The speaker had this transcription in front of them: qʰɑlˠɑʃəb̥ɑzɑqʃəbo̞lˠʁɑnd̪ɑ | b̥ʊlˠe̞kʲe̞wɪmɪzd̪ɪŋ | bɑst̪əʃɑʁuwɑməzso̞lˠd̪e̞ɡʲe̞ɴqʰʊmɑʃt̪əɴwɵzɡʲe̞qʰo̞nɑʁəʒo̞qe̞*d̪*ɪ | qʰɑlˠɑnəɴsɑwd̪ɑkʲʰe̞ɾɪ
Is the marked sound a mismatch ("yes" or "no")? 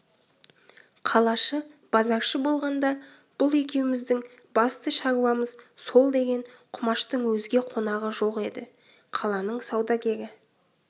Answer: no